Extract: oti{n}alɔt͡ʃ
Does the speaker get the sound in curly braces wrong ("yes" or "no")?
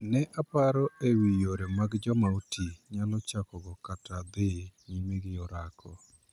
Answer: yes